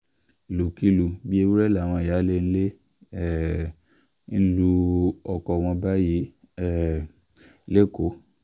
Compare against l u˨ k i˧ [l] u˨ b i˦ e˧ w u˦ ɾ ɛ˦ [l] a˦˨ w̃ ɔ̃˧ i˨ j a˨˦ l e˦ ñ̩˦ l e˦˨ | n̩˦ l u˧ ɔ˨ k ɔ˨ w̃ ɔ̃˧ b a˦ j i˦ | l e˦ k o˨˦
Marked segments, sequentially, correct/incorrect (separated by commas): correct, correct